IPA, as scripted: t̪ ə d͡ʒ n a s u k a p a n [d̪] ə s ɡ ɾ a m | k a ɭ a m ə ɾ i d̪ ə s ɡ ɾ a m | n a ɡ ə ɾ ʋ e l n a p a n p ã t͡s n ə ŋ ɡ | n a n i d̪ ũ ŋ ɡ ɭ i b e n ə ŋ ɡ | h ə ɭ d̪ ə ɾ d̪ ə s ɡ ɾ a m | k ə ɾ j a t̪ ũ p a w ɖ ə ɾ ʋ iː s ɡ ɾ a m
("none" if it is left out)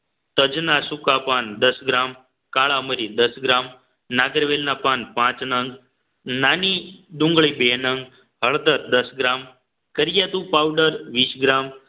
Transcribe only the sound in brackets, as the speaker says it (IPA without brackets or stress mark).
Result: d̪